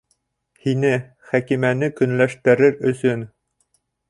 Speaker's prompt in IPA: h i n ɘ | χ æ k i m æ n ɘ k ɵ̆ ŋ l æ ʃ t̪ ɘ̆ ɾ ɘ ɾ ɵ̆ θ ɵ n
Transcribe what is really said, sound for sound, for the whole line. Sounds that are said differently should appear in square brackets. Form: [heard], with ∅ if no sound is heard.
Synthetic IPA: h i n ɘ | χ æ k i m æ n ɘ k ɵ̆ [n] l æ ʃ t̪ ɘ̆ ɾ ɘ ɾ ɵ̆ [s] ɵ n